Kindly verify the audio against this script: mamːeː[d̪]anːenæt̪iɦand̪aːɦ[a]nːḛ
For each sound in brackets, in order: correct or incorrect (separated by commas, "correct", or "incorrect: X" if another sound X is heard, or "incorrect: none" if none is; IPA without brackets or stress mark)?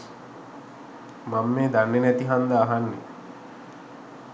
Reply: correct, correct